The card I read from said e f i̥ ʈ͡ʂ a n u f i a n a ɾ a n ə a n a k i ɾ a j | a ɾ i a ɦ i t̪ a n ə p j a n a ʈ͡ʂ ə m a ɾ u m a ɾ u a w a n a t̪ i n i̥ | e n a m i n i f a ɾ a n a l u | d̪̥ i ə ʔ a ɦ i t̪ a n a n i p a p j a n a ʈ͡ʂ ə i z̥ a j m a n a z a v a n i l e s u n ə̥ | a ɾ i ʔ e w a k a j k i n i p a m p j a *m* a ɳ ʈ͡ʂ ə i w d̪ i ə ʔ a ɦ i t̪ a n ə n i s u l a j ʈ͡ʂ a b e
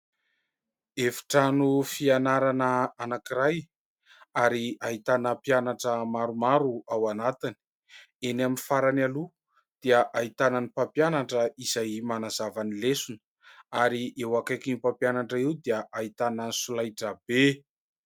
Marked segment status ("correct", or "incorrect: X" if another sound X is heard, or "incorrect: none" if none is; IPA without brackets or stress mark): incorrect: n